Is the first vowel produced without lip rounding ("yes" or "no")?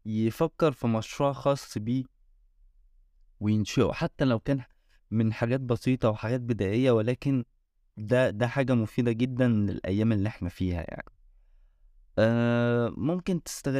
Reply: yes